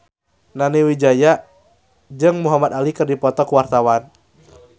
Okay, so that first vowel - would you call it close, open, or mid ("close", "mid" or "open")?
open